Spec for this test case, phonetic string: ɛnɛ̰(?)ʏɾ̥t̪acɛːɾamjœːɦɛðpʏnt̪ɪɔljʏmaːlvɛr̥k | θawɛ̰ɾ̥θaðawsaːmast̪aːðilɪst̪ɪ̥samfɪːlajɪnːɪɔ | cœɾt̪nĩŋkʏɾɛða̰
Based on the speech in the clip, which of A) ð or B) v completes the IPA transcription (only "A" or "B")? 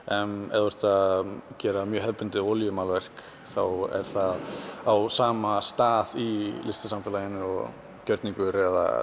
A